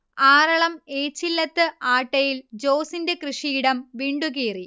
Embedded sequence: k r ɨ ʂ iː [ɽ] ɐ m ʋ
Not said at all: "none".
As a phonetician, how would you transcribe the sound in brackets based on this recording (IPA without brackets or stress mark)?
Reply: ɽ